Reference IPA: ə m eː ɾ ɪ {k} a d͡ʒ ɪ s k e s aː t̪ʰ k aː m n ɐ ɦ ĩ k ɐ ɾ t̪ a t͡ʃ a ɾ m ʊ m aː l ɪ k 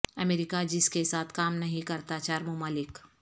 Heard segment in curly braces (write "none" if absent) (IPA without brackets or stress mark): k